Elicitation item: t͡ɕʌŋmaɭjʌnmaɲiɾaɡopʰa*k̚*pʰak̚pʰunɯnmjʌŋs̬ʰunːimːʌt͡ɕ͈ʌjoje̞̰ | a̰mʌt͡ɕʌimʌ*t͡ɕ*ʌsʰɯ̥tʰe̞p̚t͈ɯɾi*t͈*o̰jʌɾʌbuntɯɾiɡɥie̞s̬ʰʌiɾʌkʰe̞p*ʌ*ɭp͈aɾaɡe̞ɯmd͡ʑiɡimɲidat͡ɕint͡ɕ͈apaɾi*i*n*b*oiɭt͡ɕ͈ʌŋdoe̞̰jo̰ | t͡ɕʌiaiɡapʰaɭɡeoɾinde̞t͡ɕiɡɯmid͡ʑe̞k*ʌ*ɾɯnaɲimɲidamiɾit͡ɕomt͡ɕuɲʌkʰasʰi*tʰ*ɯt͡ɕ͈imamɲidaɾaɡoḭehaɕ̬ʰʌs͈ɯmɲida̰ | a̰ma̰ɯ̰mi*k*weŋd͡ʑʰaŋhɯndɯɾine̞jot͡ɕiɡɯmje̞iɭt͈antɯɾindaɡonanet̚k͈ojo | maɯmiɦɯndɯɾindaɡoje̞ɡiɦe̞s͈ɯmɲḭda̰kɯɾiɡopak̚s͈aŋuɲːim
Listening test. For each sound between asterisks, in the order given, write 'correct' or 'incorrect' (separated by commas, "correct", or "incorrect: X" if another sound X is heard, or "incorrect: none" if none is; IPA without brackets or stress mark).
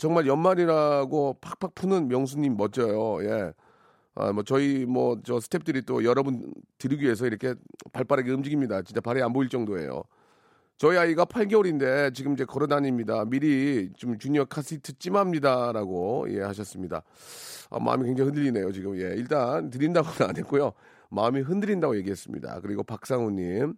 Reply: correct, correct, correct, incorrect: a, incorrect: a, correct, correct, correct, correct